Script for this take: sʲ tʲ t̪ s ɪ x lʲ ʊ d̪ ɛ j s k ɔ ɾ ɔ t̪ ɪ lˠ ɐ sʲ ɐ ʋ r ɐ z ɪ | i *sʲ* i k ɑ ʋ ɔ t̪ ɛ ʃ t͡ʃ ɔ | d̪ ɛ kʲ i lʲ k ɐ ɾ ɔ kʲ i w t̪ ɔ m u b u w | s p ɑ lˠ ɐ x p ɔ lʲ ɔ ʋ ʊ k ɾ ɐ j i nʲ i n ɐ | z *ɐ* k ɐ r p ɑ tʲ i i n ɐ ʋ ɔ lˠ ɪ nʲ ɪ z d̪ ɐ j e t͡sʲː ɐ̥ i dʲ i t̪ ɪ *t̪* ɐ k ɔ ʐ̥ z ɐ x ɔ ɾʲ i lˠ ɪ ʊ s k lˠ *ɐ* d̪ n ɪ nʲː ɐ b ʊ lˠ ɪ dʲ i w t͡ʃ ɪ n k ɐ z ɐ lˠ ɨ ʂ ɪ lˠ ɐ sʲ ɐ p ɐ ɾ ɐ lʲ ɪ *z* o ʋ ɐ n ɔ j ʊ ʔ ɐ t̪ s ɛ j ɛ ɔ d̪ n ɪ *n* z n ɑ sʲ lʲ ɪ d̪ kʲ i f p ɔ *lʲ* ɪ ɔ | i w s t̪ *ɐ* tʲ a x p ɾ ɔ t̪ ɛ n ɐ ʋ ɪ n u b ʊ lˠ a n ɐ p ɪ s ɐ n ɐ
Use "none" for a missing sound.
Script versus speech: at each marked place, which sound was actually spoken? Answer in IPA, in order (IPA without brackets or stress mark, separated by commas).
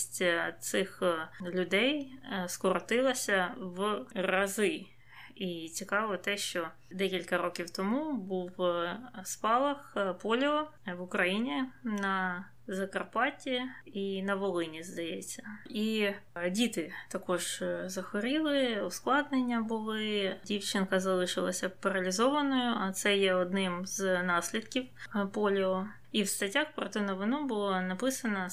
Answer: t͡sʲ, ɐ, t̪, ɑ, z, m, lʲ, ɐ